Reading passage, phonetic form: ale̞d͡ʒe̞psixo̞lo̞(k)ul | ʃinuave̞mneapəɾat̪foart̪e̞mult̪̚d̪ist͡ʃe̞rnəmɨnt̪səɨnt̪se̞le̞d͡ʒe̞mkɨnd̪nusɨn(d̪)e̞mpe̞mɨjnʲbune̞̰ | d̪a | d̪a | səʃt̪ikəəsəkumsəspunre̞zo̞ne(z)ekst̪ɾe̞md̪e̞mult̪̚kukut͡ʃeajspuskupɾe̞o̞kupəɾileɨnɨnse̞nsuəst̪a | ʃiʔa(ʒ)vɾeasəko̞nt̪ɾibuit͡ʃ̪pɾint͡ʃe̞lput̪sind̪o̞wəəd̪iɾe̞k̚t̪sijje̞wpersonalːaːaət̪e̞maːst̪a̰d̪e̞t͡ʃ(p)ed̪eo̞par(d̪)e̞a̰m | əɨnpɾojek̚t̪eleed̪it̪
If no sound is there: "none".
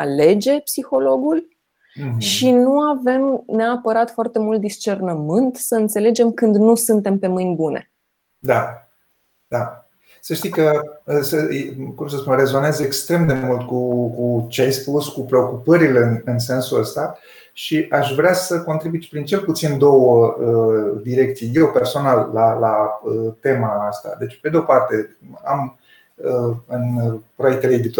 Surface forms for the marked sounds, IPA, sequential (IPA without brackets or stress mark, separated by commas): ɡ, t̪, z, ʃ, p, t̪